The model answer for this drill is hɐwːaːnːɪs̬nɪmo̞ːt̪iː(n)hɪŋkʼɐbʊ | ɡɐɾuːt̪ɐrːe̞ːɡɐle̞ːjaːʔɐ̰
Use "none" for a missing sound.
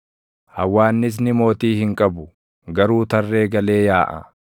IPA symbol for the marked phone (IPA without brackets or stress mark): none